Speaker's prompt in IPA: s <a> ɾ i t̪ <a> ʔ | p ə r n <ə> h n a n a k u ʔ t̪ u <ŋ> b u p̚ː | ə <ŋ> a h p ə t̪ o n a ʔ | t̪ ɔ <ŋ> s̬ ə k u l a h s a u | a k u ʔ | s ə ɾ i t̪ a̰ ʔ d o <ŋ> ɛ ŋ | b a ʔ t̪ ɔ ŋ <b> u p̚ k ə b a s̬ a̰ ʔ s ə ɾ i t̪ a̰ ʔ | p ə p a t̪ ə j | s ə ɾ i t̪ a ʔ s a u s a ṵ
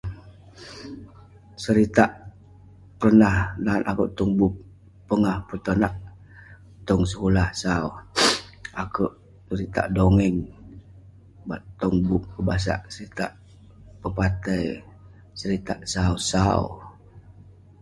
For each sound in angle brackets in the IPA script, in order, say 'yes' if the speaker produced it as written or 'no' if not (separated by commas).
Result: no, yes, no, yes, yes, yes, yes, yes